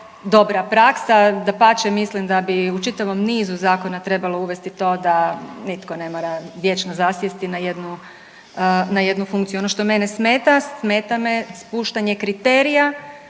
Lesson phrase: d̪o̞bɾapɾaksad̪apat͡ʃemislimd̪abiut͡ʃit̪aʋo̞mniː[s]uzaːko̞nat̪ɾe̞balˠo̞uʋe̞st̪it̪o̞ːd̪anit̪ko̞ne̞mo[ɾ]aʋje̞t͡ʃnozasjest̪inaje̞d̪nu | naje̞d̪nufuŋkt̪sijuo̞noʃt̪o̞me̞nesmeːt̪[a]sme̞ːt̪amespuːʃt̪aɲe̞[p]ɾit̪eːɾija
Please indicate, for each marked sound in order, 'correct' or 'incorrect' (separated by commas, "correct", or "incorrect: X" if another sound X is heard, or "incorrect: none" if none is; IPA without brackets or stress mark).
incorrect: z, correct, correct, incorrect: k